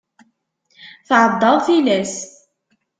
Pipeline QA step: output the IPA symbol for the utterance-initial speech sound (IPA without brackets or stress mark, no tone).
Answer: θ